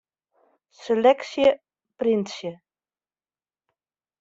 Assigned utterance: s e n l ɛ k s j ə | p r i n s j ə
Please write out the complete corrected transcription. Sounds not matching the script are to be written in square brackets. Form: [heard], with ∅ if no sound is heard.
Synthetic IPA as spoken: s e [∅] l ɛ k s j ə | p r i n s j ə

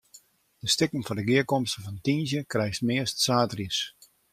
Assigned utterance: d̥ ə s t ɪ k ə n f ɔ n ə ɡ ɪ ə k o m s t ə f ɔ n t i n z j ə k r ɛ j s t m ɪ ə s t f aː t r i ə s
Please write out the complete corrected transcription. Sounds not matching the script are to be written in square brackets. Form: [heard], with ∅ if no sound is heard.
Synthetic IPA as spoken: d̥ ə s t ɪ k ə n f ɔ [d] ə ɡ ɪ ə k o m s t ə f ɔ n t i n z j ə k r ɛ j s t m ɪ ə s t [s] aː t r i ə s

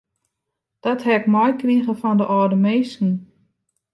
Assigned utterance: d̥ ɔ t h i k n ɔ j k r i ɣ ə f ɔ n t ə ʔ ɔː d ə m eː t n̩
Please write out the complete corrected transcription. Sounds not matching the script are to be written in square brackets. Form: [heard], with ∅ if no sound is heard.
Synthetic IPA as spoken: d̥ ɔ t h [ɛ] k [m] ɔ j k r i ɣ ə f ɔ n [d] ə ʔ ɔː d ə m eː [s] n̩

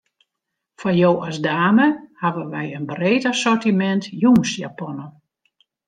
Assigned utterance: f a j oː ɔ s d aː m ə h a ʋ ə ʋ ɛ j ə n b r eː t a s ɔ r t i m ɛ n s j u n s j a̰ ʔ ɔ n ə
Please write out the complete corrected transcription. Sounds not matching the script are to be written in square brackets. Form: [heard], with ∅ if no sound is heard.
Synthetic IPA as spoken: f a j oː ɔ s d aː m ə h a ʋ ə ʋ ɛ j ə n b r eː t a s ɔ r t i m ɛ n [t] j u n s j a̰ [p] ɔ n ə

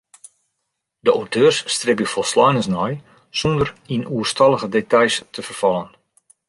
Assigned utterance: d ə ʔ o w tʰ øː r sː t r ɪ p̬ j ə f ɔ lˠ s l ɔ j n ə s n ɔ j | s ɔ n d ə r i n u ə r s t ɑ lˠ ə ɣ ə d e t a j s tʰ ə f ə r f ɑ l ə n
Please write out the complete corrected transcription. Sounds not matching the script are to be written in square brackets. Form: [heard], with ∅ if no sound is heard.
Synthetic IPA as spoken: d ə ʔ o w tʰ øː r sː t r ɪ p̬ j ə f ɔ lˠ s l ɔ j n ə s n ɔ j | s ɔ n d ə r i n u ə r s t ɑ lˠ ə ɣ ə d e t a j s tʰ ə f ə r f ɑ l ə n

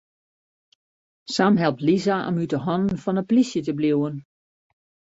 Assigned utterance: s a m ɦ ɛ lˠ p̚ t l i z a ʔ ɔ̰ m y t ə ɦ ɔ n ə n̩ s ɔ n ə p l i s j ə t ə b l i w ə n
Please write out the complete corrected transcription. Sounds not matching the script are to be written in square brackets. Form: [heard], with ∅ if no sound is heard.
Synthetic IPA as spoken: s a m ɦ ɛ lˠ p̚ t l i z a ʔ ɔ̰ m y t ə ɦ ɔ n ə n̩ [f] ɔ n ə p l i s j ə t ə b l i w ə n

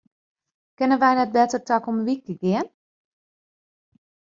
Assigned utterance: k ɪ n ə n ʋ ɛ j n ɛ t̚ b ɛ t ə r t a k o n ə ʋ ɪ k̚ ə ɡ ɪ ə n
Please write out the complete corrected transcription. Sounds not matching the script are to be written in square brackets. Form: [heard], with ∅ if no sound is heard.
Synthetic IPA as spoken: k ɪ n ə n ʋ ɛ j n ɛ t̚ b ɛ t ə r t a k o [m] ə ʋ [i] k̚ ə ɡ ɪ ə n

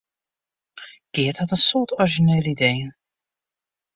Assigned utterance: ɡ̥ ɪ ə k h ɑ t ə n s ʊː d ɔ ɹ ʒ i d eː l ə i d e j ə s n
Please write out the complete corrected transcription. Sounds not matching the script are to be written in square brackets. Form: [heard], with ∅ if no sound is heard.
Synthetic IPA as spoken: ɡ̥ ɪ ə [t] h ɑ t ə n s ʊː [t] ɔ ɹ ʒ i [n] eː l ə i d e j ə [∅] n

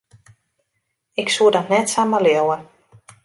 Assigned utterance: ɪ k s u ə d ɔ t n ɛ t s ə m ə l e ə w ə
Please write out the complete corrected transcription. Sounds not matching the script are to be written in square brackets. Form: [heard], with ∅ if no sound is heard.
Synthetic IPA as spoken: ɪ k s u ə d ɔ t n ɛ t s [a] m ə l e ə w ə

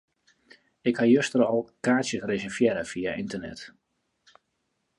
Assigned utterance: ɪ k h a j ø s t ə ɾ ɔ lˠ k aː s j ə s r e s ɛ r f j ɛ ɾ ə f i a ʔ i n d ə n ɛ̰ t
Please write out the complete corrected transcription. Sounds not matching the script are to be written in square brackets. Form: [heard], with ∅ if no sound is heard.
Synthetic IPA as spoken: ɪ k h a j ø s t ə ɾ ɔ lˠ k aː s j ə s r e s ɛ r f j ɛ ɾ ə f i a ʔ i n [t] ə n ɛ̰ t

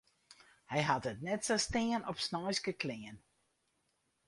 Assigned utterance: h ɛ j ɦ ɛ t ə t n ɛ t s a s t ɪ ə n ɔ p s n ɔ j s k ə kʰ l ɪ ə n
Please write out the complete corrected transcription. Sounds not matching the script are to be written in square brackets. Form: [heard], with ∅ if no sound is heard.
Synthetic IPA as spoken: h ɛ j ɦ [a] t ə t n ɛ t s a s t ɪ ə n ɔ p s n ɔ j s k ə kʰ l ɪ ə n

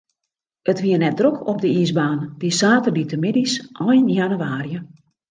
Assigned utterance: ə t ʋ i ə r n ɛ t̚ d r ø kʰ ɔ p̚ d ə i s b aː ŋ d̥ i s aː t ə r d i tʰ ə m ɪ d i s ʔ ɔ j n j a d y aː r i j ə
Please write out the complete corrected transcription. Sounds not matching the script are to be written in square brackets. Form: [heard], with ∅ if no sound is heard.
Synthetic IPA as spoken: ə t ʋ i ə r n ɛ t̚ d r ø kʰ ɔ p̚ d ə i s b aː [n] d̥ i s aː t ə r d i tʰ ə m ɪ d i s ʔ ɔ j n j a [n] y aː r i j ə

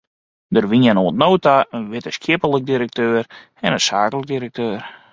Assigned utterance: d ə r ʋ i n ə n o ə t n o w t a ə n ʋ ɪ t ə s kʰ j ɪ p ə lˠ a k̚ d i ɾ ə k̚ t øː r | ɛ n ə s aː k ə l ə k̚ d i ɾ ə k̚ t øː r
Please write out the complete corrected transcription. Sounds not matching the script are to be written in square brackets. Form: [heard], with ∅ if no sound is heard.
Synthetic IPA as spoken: d ə r ʋ i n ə n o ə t n o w t a ə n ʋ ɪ t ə s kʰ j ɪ p ə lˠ [ə] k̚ d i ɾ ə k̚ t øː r | ɛ n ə s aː k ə l ə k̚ d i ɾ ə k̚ t øː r

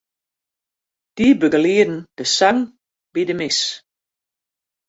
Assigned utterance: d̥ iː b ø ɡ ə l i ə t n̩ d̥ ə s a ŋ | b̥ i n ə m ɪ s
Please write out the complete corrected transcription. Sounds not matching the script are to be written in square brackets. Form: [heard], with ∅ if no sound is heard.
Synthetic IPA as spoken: d̥ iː b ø ɡ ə l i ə [d] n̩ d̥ ə s a ŋ | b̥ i [d] ə m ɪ s

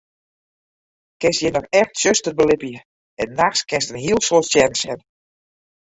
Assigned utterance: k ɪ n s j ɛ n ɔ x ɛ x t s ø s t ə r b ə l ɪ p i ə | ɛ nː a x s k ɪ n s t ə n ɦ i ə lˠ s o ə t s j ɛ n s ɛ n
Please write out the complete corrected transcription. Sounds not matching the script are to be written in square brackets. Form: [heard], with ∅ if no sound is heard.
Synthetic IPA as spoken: k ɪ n s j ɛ n ɔ x ɛ x t s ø s t ə r b ə l ɪ p [j] ə | ɛ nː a x s k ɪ n s t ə n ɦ i ə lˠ s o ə t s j ɛ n s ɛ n

